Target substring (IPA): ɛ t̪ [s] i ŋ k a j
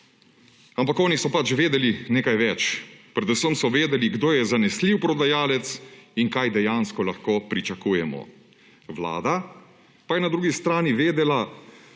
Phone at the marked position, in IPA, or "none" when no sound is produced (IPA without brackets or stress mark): s